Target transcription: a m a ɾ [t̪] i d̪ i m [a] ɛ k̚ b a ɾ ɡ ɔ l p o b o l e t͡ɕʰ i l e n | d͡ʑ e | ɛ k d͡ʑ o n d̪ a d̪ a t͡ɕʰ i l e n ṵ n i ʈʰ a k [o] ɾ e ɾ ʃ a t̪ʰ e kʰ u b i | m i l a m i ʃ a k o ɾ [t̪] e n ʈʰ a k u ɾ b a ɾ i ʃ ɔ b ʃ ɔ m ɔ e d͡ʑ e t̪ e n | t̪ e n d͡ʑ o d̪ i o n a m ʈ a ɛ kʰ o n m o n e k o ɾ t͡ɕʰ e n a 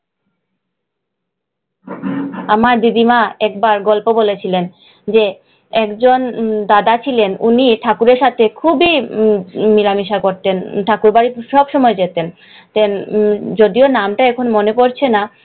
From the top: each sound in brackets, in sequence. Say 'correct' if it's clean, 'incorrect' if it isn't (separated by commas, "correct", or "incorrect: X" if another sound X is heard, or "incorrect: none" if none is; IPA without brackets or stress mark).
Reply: incorrect: d̪, correct, incorrect: u, correct